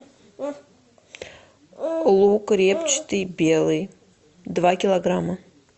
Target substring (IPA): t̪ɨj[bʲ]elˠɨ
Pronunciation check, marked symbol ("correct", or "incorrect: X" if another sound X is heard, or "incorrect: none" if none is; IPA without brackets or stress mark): correct